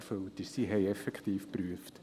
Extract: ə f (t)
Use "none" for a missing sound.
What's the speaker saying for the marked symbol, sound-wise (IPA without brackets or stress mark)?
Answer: t